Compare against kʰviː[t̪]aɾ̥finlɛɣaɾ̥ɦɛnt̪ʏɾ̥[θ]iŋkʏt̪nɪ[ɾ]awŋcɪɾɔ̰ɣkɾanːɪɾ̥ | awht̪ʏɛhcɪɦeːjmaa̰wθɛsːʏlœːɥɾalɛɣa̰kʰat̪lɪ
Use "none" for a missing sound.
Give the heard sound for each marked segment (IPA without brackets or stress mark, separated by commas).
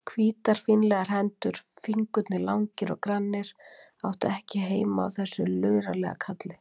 t̪, f, l